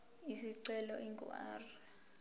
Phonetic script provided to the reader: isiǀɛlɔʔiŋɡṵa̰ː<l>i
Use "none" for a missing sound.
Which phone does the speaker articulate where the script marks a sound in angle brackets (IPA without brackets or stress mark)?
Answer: r